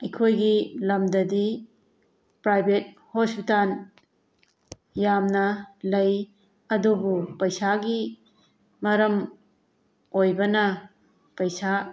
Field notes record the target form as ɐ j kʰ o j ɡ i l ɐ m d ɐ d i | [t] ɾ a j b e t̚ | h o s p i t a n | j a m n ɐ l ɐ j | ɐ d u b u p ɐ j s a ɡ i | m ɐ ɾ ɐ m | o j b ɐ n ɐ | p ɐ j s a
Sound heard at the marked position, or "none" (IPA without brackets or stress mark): p